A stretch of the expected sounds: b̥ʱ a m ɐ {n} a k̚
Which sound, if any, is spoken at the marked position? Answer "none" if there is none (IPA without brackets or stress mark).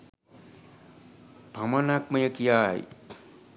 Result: n